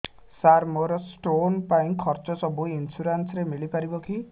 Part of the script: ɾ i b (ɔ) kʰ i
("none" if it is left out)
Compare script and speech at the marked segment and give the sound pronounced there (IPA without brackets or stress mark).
ɔ